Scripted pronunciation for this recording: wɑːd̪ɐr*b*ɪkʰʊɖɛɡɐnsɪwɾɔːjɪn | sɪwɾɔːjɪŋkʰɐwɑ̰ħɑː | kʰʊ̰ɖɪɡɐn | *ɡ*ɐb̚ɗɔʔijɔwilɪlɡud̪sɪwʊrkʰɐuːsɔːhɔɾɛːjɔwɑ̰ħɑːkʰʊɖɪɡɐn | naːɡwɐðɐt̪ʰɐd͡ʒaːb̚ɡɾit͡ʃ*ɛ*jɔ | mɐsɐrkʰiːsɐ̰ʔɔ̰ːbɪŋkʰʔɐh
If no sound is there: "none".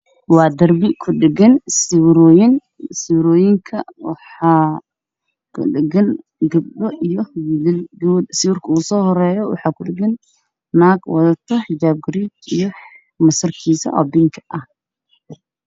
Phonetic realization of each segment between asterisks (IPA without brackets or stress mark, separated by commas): b, ɡ, i